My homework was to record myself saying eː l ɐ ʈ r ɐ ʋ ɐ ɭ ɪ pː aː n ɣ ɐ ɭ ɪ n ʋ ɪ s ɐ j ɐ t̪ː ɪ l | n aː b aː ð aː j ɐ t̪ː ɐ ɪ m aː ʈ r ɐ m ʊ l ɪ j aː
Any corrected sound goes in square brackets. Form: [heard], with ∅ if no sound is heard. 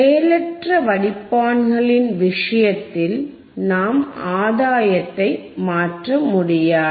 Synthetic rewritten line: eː l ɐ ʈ r ɐ ʋ ɐ [ɽ] ɪ pː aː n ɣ ɐ ɭ ɪ n ʋ ɪ [ʂ] ɐ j ɐ t̪ː ɪ l | n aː [m] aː ð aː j ɐ t̪ː ɐ ɪ m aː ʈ r ɐ m ʊ [ɽ] ɪ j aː